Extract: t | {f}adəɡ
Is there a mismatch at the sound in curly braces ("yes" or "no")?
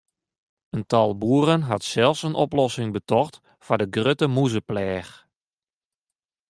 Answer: no